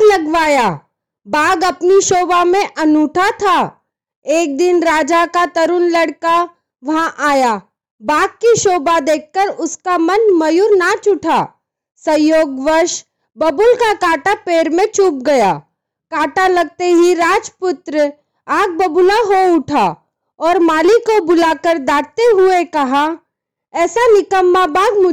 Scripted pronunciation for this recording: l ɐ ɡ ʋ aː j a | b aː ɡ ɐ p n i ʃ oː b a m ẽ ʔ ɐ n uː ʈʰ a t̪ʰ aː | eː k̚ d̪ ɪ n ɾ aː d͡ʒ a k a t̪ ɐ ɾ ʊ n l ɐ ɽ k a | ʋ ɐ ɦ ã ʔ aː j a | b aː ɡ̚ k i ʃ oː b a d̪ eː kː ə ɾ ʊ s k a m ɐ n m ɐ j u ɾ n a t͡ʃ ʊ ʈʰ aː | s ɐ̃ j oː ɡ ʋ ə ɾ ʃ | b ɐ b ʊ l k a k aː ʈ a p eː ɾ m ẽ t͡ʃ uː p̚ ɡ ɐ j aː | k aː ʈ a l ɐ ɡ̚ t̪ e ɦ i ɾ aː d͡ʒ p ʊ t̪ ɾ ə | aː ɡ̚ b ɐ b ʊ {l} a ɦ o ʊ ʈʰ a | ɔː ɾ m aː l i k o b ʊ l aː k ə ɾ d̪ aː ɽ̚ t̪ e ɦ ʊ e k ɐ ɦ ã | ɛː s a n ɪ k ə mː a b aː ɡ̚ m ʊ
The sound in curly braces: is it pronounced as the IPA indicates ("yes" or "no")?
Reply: yes